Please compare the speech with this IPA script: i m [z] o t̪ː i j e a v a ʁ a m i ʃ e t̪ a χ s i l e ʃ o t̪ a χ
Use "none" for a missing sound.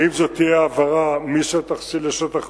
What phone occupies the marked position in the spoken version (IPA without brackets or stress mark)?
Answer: z